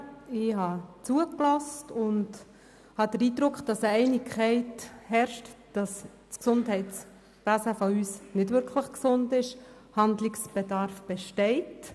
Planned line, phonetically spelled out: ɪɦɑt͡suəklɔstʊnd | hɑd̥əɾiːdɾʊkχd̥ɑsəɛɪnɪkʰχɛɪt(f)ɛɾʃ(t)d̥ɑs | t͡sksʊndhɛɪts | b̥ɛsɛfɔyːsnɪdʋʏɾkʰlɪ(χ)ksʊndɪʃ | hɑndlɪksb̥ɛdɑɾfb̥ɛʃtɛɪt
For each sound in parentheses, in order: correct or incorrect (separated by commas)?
incorrect, correct, correct